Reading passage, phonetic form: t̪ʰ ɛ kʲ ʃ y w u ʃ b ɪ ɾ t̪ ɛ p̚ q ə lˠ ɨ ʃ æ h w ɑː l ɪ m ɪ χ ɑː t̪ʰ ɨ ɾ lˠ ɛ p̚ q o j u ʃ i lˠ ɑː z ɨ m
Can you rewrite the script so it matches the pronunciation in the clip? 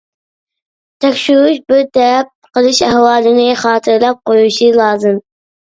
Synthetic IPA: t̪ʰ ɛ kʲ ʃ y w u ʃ b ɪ ɾ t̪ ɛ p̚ q ə lˠ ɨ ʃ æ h w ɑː l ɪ n ɪ χ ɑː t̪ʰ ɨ ɾ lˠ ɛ p̚ q o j u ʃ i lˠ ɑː z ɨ m